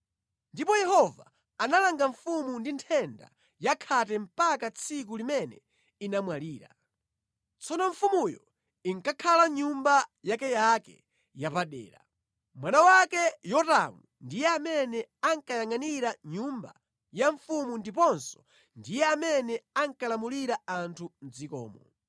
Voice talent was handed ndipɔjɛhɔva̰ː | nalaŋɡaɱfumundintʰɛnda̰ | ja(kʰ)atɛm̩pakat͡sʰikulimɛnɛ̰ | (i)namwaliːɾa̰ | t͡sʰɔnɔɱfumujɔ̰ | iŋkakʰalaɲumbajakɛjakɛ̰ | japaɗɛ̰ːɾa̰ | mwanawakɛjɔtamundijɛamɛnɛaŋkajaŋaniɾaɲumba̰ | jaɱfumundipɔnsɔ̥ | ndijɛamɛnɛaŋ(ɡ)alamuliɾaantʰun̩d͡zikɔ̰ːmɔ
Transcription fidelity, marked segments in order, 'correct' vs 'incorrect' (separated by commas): correct, correct, incorrect